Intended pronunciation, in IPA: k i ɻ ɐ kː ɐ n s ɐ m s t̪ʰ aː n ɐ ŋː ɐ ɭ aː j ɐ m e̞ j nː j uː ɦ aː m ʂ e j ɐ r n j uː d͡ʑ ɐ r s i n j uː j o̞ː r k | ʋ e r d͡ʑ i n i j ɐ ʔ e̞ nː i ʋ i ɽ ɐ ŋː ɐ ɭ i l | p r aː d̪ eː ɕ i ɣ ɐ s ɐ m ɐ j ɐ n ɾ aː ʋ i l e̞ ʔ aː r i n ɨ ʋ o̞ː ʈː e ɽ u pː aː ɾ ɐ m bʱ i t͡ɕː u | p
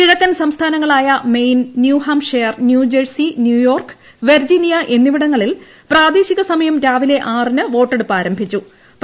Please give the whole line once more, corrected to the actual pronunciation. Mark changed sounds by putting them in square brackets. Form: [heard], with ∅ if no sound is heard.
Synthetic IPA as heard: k i ɻ ɐ kː ɐ n s ɐ m s t̪ʰ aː n ɐ ŋː ɐ ɭ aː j ɐ m e̞ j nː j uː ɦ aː m ʂ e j ɐ r n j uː d͡ʑ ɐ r s i n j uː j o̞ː r k | ʋ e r d͡ʑ i n i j ɐ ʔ e̞ nː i ʋ i ɽ ɐ ŋː ɐ ɭ i l | p r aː d̪ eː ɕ i ɣ ɐ s ɐ m ɐ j ɐ [m] ɾ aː ʋ i l e̞ ʔ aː r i n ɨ ʋ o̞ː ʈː e ɽ u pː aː ɾ ɐ m bʱ i t͡ɕː u | p

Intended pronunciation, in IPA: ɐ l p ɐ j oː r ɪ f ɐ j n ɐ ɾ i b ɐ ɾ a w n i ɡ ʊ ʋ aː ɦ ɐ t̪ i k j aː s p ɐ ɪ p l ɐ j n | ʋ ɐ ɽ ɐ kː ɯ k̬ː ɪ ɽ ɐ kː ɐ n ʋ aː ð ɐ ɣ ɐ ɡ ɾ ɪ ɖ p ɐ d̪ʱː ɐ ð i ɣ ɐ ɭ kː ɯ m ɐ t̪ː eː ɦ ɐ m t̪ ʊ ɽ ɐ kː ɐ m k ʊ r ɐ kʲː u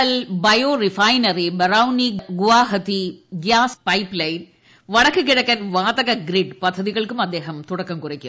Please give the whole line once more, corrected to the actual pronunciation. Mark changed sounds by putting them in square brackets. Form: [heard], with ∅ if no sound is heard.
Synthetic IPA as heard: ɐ l [b] ɐ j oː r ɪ f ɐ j n ɐ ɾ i b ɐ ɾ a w n i ɡ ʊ ʋ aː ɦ ɐ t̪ i [ɡ] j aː s p ɐ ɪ p l ɐ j n | ʋ ɐ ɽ ɐ kː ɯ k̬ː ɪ ɽ ɐ kː ɐ n ʋ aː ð ɐ ɣ ɐ ɡ ɾ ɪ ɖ p ɐ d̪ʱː ɐ ð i ɣ ɐ ɭ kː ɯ m ɐ [d̪ː] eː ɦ ɐ m t̪ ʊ ɽ ɐ kː ɐ m k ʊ r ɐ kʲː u

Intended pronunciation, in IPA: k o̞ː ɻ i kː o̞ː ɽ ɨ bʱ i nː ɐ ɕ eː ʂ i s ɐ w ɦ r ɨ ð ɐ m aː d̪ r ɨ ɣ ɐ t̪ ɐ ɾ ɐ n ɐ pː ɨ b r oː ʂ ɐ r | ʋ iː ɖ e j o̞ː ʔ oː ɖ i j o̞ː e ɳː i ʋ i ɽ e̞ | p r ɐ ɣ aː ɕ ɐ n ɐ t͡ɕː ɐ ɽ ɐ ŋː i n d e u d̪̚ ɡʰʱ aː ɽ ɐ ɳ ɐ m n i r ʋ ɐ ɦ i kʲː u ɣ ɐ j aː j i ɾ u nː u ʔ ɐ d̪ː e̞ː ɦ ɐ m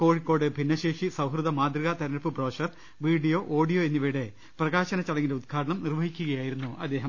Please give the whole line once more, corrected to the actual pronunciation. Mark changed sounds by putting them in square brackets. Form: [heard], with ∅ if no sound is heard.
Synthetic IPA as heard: k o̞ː ɻ i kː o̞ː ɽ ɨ bʱ i nː ɐ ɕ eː ʂ i s ɐ w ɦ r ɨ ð ɐ m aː d̪ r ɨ ɣ ɐ t̪ ɐ ɾ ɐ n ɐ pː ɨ b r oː ʂ ɐ r | ʋ iː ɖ [i] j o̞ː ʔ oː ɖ i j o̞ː e [nː] i ʋ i ɽ e̞ | p r ɐ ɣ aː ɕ ɐ n ɐ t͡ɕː ɐ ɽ ɐ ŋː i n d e u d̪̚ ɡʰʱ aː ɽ ɐ ɳ ɐ m n i r ʋ ɐ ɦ i kʲː u ɣ ɐ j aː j i ɾ u nː u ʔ ɐ d̪ː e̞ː ɦ ɐ m

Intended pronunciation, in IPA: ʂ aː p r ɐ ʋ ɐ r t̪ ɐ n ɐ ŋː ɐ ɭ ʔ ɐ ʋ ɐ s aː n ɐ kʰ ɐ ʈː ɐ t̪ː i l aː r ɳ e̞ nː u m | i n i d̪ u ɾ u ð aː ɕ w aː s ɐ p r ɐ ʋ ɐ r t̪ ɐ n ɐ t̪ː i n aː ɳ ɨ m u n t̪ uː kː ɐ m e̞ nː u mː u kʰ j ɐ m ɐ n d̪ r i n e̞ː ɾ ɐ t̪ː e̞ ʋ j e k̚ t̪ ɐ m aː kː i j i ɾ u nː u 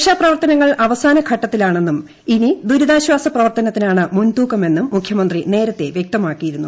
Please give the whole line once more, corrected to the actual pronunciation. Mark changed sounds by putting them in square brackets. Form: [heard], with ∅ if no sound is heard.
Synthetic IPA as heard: ʂ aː p r ɐ ʋ ɐ r t̪ ɐ n ɐ ŋː ɐ ɭ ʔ ɐ ʋ ɐ s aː n ɐ kʰ ɐ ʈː ɐ t̪ː i l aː [∅] ɳ e̞ nː u m | i n i d̪ u ɾ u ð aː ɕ w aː s ɐ p r ɐ ʋ ɐ r t̪ ɐ n ɐ t̪ː i n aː ɳ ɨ m u n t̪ uː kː ɐ m e̞ nː u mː u kʰ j ɐ m ɐ n d̪ r i n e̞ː ɾ ɐ t̪ː e̞ ʋ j e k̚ t̪ ɐ m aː kː i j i ɾ u nː u

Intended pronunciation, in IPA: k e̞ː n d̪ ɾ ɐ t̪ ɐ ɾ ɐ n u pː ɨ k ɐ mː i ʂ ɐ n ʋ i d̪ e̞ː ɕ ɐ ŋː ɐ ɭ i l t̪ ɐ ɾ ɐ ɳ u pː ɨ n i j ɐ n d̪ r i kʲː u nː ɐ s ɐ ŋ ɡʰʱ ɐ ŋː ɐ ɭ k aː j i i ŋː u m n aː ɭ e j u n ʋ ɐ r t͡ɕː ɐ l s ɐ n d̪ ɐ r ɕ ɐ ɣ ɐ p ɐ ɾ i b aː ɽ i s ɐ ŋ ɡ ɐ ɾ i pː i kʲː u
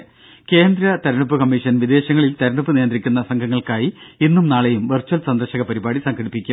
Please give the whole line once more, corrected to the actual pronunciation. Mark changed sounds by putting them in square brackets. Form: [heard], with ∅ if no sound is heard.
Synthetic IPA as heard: k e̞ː n d̪ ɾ ɐ t̪ ɐ ɾ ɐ [ɳ] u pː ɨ k ɐ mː i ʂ ɐ n ʋ i d̪ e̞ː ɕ ɐ ŋː ɐ ɭ i l t̪ ɐ ɾ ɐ ɳ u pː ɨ n i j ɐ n d̪ r i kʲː u nː ɐ s ɐ ŋ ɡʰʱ ɐ ŋː ɐ ɭ k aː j i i [nː] u m n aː ɭ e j u [m] ʋ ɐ r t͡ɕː ɐ l s ɐ n d̪ ɐ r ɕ ɐ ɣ ɐ p ɐ ɾ i b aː ɽ i s ɐ ŋ ɡ ɐ [ɽ] i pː i kʲː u

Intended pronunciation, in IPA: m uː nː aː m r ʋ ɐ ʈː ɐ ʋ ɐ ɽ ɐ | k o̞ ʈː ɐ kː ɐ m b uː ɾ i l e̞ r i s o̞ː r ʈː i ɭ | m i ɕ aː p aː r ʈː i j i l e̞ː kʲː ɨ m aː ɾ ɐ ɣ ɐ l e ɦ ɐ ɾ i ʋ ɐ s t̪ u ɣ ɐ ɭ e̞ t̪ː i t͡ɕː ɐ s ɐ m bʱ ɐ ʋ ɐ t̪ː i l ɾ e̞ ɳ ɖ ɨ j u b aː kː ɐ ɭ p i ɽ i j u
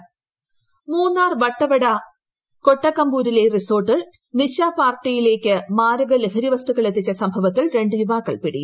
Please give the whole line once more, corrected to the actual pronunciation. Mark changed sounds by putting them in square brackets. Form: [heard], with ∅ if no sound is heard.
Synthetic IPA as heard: m uː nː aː [∅] r ʋ ɐ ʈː ɐ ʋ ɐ ɽ ɐ | k o̞ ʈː ɐ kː ɐ m b uː ɾ i l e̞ r i s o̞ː r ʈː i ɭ | [n] i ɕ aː p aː r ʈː i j i l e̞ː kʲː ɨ m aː ɾ ɐ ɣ ɐ l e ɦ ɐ ɾ i ʋ ɐ s t̪ u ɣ ɐ ɭ e̞ t̪ː i t͡ɕː ɐ s ɐ m bʱ ɐ ʋ ɐ t̪ː i l ɾ e̞ ɳ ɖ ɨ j u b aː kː ɐ ɭ p i ɽ i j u

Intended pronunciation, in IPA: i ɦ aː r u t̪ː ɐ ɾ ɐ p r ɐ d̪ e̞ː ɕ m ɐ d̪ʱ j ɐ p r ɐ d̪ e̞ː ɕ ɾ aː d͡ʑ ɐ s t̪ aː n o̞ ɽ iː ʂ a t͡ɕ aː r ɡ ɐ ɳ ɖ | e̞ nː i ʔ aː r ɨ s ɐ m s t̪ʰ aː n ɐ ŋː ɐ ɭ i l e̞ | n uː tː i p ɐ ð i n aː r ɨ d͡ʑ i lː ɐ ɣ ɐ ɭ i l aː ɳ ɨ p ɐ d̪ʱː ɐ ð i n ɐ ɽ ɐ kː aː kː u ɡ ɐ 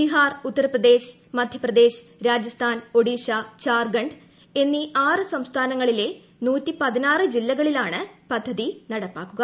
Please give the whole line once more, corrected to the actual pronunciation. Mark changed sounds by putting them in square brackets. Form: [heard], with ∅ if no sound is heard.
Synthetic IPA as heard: i ɦ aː r u t̪ː ɐ ɾ ɐ p r ɐ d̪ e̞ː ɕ m ɐ d̪ʱ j ɐ p r ɐ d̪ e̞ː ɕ ɾ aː d͡ʑ ɐ s [t̪ʰ] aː n o̞ ɽ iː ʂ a t͡ɕ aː r ɡ ɐ ɳ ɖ | e̞ nː i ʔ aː r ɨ s ɐ m s t̪ʰ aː n ɐ ŋː ɐ ɭ i l e̞ | n uː tː i p ɐ ð i n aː r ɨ d͡ʑ i lː ɐ ɣ ɐ ɭ i l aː ɳ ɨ p ɐ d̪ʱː ɐ ð i n ɐ ɽ ɐ [pː] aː kː u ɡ ɐ

